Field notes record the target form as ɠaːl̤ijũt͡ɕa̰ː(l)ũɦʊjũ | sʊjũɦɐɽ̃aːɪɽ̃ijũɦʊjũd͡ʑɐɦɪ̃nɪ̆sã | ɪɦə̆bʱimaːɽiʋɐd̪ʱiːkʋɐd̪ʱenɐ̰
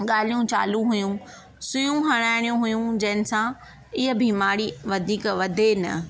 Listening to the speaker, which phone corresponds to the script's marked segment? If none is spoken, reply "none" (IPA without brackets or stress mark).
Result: l